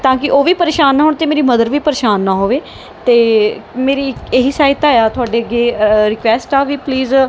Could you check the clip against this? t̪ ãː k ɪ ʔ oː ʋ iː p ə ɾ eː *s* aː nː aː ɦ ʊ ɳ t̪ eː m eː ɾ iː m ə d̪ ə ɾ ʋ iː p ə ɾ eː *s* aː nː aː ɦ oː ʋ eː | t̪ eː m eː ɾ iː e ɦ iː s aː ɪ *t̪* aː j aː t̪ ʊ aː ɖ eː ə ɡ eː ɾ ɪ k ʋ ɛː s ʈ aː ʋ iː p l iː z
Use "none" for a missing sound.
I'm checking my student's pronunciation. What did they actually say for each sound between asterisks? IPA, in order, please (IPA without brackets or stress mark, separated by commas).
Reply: ʃ, ʃ, t̪